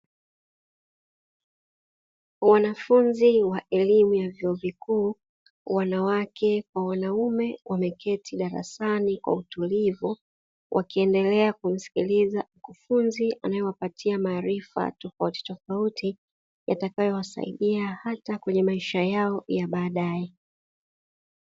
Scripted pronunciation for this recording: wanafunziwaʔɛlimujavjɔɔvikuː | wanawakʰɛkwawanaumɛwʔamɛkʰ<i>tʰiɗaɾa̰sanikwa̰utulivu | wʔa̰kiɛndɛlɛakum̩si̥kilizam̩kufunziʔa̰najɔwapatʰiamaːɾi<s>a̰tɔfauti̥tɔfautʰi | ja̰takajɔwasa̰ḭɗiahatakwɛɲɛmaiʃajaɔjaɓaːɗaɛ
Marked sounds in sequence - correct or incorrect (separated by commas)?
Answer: incorrect, incorrect